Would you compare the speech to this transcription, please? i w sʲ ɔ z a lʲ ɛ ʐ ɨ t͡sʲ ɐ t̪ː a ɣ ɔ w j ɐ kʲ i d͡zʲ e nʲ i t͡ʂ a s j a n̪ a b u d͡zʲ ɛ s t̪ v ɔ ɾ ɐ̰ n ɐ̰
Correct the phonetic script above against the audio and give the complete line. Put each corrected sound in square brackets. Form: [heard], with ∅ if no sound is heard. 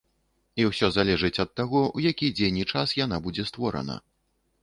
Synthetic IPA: i w sʲ ɔ z a lʲ ɛ ʐ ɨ t͡sʲ ɐ t̪ː a ɣ ɔ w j [a] kʲ i d͡zʲ e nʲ i t͡ʂ a s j a n̪ a b u d͡zʲ ɛ s t̪ v ɔ ɾ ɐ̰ n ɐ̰